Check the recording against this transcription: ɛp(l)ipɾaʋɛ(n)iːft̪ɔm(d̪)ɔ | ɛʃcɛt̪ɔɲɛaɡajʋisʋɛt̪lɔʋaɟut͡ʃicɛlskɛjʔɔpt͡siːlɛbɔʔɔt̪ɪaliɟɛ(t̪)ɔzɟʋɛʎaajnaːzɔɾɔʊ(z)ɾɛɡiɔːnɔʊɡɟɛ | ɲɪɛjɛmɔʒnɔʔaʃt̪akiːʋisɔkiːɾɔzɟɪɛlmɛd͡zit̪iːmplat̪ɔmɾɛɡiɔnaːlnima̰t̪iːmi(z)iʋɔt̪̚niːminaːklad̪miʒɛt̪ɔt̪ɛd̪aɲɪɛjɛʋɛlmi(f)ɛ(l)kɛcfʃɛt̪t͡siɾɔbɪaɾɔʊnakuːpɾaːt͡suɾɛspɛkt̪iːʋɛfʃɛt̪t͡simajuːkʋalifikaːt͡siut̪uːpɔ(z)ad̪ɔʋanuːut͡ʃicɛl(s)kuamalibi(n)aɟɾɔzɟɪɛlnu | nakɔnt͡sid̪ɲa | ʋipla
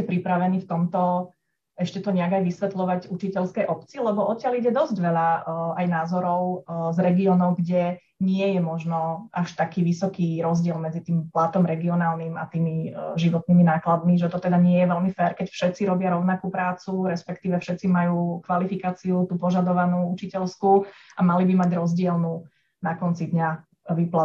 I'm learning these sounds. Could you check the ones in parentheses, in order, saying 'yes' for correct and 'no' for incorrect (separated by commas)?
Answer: no, yes, no, no, yes, no, yes, no, no, yes, no